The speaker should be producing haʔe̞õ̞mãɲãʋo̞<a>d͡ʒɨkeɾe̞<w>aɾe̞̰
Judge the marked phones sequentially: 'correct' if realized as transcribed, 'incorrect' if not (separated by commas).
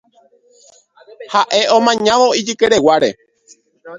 incorrect, correct